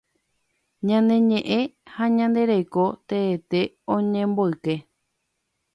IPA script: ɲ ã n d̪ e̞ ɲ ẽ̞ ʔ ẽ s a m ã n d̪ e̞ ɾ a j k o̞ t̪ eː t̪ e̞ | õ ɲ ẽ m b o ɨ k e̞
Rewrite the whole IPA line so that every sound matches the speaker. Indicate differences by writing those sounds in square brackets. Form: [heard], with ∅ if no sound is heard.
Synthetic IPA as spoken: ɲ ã n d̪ e̞ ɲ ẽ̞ ʔ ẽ [h] a [ɲ] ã n d̪ e̞ ɾ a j k o̞ t̪ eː t̪ e̞ | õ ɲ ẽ m b o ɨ k e̞